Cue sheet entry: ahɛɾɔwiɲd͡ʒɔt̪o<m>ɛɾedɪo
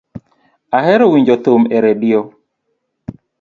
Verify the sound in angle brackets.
correct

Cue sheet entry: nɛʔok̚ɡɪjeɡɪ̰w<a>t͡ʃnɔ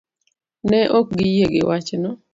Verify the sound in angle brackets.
correct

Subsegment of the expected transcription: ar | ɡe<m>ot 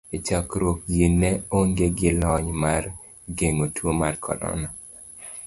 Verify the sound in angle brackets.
incorrect: ŋ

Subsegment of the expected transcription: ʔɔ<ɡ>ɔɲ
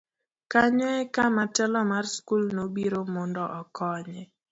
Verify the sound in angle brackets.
incorrect: k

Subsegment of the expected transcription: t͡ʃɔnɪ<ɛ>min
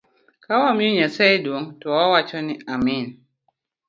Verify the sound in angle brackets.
incorrect: a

